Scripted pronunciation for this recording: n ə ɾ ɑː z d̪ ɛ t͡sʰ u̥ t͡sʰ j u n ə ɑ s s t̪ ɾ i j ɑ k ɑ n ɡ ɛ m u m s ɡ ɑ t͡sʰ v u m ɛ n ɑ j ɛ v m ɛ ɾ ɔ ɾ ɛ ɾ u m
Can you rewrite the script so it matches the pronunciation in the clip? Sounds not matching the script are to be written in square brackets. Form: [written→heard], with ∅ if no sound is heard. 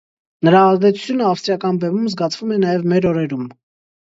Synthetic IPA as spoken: n ə ɾ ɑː z d̪ ɛ t͡sʰ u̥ t͡sʰ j u n ə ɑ [s→f] s t̪ ɾ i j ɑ k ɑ n [ɡ→b] ɛ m u m [s→z] ɡ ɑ t͡sʰ v u m ɛ n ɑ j ɛ v m ɛ ɾ ɔ ɾ ɛ ɾ u m